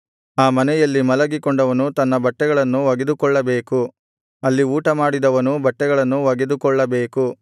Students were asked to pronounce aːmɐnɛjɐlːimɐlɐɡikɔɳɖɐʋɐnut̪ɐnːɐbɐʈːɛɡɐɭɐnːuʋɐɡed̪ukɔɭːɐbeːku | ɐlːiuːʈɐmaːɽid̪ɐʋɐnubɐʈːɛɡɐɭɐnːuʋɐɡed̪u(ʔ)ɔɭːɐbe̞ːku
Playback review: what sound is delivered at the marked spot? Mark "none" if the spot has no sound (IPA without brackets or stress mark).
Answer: k